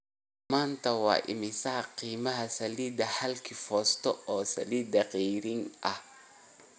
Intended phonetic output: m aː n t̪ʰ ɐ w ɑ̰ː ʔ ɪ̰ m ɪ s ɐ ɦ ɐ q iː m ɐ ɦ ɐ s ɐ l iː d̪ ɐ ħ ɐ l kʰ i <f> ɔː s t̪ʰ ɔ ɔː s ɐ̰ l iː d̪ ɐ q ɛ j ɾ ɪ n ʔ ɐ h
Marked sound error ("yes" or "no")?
no